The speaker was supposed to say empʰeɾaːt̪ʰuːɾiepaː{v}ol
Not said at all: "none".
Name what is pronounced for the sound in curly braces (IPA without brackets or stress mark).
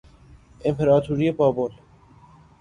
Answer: b